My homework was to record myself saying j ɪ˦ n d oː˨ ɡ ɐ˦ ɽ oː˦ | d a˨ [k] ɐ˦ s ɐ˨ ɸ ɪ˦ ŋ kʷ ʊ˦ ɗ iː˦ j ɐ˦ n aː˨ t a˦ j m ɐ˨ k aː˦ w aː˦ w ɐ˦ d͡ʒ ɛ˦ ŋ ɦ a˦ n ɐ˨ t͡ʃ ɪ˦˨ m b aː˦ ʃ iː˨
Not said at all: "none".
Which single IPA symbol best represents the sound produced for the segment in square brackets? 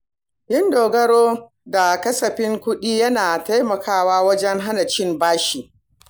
k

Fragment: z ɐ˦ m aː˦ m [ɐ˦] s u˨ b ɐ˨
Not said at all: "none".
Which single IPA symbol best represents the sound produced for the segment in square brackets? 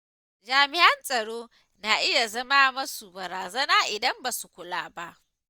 ɐ˦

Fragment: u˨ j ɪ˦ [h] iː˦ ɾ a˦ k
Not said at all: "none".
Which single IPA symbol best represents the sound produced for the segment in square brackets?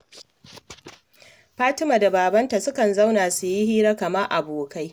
h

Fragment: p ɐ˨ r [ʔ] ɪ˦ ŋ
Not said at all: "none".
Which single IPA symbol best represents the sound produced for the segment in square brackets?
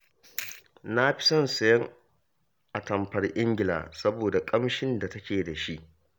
ʔ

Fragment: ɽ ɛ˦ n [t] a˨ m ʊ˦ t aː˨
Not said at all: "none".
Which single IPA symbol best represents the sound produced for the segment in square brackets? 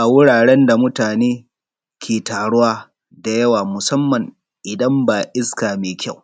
d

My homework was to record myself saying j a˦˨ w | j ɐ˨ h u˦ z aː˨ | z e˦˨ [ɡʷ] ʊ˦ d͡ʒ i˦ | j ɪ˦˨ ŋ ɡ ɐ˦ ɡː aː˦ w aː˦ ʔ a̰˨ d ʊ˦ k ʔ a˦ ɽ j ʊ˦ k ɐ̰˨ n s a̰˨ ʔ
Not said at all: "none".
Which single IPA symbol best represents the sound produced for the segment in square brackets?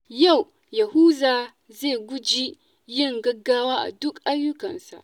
ɡʷ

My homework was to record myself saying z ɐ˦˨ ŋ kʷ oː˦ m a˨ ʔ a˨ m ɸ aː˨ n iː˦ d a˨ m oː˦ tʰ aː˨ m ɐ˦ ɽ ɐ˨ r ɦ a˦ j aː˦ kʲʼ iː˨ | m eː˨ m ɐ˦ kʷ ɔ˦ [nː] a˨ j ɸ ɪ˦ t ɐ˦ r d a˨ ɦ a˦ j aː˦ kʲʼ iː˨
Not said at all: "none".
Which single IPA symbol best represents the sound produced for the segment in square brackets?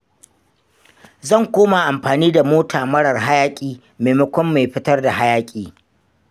mː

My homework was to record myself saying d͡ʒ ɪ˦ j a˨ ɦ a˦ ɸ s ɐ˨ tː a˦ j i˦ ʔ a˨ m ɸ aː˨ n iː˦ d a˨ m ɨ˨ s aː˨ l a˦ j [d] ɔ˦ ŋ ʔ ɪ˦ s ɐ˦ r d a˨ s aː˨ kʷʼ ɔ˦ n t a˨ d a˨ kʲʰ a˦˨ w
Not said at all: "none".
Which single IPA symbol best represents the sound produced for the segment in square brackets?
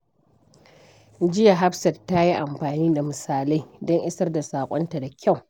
d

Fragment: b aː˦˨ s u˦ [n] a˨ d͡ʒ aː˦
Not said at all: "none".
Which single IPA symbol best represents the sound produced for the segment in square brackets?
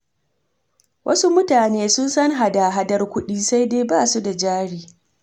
d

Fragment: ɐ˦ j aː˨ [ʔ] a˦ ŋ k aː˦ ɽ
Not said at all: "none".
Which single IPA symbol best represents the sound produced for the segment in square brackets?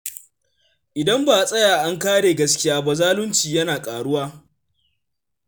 ʔ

